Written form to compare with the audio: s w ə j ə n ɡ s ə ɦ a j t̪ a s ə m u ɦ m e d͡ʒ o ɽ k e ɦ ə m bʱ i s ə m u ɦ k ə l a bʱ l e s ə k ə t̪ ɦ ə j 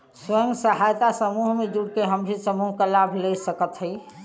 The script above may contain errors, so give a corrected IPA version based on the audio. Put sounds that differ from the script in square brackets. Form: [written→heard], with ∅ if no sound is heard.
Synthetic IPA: s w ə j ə [n→ŋ] ɡ s ə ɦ a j t̪ a s ə m u ɦ m e d͡ʒ [o→u] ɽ k e ɦ ə m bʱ i s ə m u ɦ k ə l a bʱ l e s ə k ə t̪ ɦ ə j

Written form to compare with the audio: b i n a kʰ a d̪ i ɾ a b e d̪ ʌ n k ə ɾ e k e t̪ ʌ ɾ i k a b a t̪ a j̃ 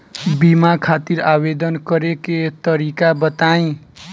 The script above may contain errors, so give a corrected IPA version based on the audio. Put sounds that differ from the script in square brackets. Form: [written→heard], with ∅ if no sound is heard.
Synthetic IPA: b i [n→m] a kʰ a [d̪→t̪] i ɾ a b e d̪ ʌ n k [ə→ʌ] ɾ e k e t̪ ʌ ɾ i k a b [a→ʌ] t̪ a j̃

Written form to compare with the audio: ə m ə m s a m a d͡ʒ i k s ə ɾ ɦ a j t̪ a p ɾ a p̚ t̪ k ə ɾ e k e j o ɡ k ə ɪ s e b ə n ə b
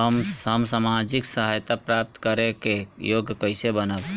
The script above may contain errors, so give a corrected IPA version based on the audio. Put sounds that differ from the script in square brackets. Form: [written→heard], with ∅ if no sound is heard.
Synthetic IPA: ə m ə m s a m a d͡ʒ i k s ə [ɾ→∅] ɦ a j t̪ a p ɾ a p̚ t̪ k ə ɾ e k e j o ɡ k ə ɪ s e b ə n ə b

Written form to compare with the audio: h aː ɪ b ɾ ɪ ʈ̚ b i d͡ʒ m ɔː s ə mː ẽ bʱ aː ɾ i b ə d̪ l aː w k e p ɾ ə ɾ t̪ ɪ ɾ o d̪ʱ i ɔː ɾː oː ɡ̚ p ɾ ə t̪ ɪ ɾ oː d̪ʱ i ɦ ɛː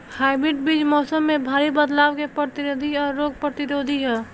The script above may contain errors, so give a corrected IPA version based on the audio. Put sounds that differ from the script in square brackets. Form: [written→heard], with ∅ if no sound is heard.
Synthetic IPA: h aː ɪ b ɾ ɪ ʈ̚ b i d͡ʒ m ɔː s ə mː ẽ bʱ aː ɾ i b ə d̪ l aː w k e p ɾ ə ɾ t̪ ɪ ɾ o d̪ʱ i ɔː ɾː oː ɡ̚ p ɾ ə t̪ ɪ ɾ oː d̪ʱ i ɦ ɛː

